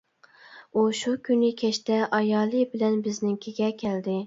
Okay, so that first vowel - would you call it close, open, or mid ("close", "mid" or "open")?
close